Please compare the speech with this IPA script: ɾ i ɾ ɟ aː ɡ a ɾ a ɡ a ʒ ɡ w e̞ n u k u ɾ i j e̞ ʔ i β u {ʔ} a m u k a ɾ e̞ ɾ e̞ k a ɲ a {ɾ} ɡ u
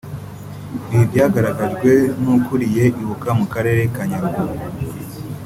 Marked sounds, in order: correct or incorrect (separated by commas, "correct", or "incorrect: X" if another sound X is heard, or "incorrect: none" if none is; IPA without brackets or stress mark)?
incorrect: k, correct